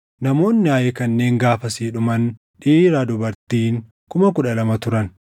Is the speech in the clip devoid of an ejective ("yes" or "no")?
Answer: yes